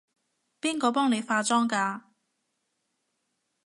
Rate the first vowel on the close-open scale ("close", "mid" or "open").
close